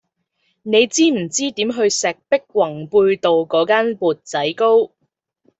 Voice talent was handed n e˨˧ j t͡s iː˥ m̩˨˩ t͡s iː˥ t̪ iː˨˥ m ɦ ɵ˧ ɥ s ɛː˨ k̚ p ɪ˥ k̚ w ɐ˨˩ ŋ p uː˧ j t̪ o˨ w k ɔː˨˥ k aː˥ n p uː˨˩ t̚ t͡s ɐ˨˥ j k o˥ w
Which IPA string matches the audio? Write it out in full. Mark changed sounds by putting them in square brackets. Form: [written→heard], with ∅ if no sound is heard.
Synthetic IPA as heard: n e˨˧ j t͡s iː˥ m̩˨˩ t͡s iː˥ t̪ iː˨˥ m ɦ ɵ˧ ɥ s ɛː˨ k̚ p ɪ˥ k̚ w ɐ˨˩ ŋ p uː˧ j t̪ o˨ w k ɔː˨˥ k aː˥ n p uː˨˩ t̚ t͡s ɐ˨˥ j k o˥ w